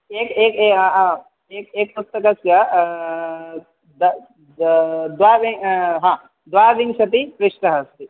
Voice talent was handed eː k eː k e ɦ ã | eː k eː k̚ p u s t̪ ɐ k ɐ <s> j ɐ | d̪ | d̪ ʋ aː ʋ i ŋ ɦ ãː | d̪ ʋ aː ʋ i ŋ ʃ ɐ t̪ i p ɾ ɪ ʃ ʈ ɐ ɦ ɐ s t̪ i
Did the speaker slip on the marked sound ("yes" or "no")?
no